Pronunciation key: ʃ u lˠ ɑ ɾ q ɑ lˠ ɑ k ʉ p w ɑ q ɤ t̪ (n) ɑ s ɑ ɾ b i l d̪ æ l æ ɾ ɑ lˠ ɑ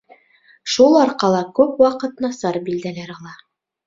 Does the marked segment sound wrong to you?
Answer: no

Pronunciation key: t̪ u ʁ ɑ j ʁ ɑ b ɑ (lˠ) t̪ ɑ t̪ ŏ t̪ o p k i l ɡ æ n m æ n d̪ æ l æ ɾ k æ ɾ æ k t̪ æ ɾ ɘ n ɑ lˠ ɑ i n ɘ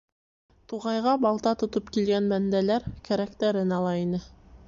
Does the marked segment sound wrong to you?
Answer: no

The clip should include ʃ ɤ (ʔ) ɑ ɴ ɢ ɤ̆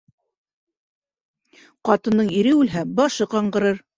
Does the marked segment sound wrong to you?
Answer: yes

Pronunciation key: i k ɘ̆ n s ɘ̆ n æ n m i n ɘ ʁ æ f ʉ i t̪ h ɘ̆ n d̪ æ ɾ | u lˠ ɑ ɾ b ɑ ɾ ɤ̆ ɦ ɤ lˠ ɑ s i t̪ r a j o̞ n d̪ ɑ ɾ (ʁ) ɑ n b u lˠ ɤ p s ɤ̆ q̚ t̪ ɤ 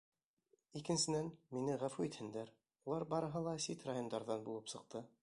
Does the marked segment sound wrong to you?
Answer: yes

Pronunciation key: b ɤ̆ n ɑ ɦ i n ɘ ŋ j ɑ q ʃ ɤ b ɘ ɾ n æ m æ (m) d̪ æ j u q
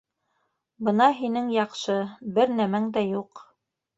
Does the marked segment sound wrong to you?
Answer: yes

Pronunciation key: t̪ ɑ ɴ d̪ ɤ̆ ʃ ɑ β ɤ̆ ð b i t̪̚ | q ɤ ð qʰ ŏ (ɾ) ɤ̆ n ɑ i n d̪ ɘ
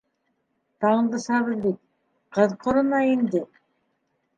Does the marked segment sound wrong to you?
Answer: no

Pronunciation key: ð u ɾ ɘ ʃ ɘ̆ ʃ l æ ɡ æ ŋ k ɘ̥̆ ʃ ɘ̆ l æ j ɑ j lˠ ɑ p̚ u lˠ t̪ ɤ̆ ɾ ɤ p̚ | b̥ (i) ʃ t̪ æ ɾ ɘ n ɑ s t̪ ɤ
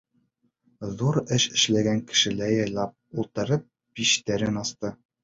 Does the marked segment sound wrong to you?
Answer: no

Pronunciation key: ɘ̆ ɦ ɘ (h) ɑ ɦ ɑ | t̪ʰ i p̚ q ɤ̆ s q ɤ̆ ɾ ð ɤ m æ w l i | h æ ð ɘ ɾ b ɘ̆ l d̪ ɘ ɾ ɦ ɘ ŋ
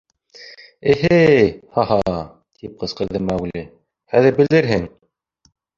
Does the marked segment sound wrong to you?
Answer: no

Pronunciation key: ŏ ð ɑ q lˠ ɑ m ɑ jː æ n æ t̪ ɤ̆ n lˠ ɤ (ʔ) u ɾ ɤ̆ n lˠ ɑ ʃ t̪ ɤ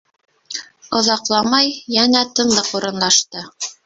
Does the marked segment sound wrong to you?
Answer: yes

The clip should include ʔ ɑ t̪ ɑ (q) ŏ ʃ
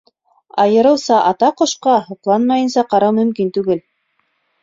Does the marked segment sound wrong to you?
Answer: no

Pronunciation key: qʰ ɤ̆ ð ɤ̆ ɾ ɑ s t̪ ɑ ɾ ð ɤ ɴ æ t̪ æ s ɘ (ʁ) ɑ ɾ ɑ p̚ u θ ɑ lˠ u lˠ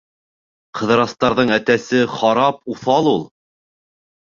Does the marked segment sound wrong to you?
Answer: yes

